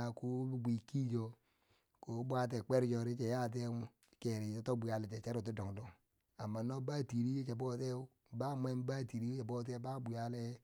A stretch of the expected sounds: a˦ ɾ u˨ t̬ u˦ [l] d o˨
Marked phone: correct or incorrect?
incorrect